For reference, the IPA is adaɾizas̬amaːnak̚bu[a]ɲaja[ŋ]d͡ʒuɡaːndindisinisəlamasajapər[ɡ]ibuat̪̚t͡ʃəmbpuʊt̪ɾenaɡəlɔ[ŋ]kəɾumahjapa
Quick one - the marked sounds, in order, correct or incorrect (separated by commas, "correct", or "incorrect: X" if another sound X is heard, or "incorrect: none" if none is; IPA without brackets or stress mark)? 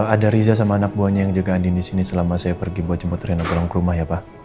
correct, correct, correct, correct